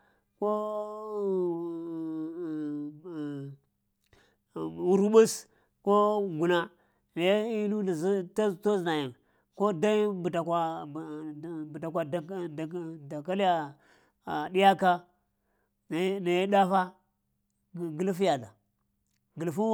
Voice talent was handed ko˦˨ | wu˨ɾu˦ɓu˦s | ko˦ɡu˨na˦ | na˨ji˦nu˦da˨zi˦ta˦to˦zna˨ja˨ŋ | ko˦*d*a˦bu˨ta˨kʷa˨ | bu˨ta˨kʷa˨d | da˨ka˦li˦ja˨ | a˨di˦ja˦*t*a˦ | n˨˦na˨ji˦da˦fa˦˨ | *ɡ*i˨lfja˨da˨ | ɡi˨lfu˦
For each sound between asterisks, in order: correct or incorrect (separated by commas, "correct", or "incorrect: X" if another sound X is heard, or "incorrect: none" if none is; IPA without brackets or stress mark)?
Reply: correct, incorrect: k, correct